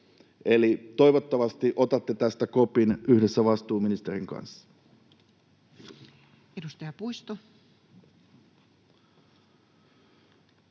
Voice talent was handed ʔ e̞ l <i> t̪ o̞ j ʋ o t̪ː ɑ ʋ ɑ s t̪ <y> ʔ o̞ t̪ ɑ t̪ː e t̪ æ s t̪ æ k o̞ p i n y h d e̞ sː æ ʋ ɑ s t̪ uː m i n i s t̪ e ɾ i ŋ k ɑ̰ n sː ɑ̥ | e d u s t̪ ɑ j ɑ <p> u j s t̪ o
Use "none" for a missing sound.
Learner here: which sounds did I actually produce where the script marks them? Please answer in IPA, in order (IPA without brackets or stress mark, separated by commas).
i, i, p